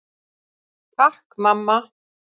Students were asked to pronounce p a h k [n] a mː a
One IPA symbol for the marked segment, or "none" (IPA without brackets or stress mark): m